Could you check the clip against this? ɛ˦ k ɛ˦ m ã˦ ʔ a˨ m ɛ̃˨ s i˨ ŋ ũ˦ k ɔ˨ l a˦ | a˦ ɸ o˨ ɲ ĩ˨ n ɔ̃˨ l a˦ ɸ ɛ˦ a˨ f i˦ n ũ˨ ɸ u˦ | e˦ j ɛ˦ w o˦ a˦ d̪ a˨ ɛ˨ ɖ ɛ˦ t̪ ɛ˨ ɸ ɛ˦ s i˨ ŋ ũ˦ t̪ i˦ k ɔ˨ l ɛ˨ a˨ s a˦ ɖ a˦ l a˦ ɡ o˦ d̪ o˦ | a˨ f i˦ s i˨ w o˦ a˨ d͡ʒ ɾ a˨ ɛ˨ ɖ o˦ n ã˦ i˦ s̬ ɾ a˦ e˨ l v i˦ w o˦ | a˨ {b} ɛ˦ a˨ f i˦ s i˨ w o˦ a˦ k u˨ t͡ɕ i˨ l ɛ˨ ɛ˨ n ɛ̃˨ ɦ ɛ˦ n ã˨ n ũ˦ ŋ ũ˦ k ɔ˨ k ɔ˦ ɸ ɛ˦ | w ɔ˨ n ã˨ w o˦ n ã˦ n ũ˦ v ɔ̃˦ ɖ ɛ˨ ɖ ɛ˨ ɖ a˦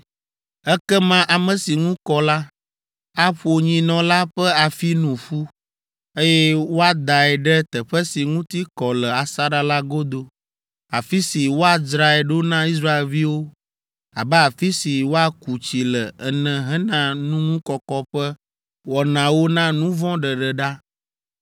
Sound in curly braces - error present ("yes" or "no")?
no